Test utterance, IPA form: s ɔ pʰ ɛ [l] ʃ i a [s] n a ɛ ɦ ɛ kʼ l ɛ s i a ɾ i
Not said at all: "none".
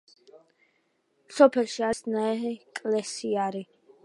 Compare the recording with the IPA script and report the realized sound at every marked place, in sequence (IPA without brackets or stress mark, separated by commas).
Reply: l, s